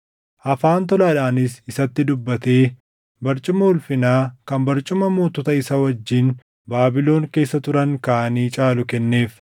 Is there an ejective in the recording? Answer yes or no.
yes